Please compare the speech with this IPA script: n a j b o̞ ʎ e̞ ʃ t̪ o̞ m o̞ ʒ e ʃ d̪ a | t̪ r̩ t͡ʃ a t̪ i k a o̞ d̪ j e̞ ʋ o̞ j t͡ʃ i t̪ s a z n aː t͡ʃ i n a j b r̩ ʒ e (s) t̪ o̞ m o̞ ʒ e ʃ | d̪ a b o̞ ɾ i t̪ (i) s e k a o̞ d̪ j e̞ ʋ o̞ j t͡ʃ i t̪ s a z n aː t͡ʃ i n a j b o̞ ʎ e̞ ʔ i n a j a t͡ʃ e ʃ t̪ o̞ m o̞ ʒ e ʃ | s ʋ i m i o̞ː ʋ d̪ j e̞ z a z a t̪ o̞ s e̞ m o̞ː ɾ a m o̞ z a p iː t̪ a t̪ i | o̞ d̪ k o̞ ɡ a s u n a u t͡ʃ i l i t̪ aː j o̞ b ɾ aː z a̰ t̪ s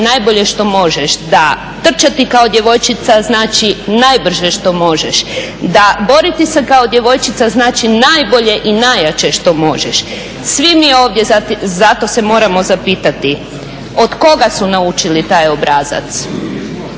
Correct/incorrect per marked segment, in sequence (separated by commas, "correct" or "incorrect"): incorrect, correct